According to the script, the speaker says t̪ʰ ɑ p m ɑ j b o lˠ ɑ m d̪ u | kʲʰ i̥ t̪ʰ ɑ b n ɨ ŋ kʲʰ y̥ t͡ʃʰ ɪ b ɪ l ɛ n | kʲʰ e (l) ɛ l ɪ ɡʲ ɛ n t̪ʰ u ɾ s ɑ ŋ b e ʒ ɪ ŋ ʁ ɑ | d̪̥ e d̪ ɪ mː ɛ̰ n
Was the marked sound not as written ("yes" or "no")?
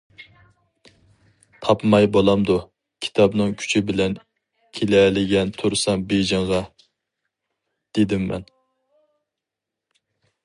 no